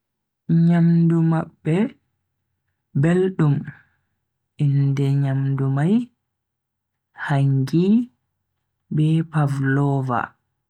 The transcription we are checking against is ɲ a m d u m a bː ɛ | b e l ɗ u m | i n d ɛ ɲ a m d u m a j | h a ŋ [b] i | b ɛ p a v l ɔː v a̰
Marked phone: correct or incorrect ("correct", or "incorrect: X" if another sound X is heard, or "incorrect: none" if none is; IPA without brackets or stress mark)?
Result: incorrect: ɡ